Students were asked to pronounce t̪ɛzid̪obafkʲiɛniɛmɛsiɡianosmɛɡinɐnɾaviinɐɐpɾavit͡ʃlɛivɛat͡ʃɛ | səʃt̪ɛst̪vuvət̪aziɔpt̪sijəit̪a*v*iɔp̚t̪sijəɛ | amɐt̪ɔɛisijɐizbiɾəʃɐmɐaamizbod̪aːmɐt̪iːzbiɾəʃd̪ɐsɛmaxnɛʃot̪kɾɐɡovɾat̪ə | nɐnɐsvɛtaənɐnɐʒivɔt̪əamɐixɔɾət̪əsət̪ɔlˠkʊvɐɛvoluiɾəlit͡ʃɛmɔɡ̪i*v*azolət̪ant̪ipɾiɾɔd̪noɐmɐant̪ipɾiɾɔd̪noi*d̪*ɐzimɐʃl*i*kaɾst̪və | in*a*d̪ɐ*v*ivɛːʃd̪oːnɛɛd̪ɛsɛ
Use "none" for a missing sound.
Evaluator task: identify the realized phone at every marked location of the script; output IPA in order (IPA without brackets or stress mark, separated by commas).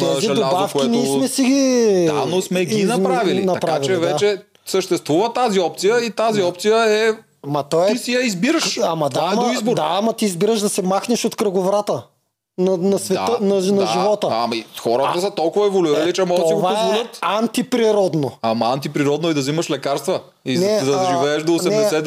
z, v, d̪, ɛ, ɛ, ʒ